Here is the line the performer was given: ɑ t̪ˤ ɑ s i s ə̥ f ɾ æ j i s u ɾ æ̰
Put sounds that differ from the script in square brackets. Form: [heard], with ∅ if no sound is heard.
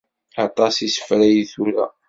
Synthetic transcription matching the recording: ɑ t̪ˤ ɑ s i s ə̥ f ɾ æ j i [θ] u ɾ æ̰

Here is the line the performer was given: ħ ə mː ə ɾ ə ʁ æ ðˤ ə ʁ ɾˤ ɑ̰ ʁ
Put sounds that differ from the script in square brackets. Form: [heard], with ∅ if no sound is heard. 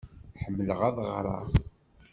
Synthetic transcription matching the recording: ħ ə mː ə [l] ə ʁ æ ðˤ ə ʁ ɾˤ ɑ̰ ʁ

